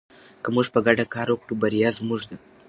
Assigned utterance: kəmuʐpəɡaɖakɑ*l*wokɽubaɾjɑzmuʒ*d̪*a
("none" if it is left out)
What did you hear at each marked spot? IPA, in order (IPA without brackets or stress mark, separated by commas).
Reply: ɾ, d̪